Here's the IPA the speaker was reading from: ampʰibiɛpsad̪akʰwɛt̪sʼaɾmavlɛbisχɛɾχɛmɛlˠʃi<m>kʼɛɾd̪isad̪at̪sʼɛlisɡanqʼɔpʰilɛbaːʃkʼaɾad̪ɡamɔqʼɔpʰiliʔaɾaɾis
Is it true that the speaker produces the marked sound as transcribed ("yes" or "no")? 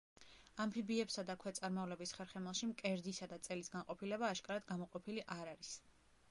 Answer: yes